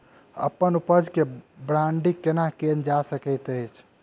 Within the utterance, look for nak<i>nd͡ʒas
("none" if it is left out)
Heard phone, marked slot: e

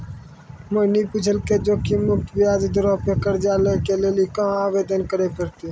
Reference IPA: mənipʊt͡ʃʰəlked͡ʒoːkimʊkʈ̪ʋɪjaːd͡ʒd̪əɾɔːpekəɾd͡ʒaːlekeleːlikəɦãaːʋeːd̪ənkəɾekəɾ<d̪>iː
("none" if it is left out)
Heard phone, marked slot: t̪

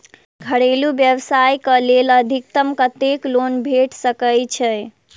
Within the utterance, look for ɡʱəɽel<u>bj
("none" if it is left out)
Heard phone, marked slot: u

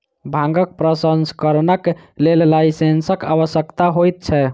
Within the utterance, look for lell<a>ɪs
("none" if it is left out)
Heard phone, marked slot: a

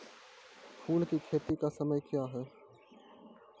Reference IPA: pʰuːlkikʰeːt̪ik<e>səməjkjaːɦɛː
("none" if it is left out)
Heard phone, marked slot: a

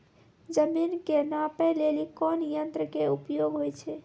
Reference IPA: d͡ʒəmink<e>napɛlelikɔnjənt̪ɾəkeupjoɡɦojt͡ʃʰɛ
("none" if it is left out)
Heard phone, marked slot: e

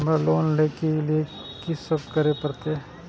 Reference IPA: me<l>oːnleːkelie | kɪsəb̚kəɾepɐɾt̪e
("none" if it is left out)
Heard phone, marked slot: l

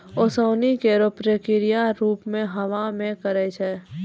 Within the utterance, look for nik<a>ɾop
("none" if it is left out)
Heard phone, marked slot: e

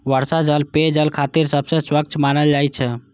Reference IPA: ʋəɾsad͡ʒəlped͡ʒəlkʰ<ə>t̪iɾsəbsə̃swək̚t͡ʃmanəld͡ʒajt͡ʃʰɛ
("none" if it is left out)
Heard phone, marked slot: a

